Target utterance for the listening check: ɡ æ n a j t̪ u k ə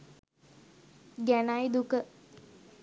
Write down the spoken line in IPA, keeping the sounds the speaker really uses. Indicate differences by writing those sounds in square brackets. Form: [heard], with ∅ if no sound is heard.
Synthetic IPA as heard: ɡ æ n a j [d̪] u k ə